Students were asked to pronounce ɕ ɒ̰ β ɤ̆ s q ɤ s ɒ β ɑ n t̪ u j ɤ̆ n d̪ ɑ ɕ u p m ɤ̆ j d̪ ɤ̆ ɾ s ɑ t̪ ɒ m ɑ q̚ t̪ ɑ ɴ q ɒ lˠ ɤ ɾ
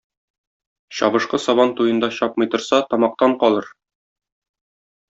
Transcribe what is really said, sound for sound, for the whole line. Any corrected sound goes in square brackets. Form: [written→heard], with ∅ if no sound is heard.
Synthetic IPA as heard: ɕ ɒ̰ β ɤ̆ [s→ʃ] q ɤ s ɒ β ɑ n t̪ u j ɤ̆ n d̪ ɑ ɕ [u→ɒ] p m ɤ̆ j [d̪→t̪] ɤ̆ ɾ s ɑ t̪ ɒ m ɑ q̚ t̪ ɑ ɴ q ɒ lˠ ɤ ɾ